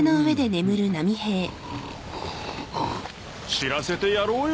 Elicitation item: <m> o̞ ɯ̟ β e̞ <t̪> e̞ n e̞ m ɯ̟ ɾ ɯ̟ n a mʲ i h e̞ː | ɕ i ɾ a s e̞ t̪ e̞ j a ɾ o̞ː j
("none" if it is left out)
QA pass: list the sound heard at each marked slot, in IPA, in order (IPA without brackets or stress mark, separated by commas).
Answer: n, d̪